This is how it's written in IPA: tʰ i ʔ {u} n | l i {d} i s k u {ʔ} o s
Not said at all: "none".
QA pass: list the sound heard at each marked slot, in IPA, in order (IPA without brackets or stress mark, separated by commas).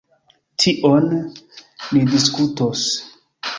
o, d, t